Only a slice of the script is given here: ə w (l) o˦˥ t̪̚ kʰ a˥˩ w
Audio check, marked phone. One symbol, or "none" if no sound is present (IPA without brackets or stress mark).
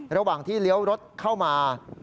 ɾ